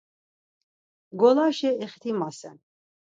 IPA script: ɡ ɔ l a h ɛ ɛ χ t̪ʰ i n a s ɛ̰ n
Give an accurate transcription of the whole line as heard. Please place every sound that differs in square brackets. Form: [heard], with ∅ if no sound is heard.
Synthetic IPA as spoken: ɡ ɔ l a [ʃ] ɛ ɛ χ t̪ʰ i [m] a s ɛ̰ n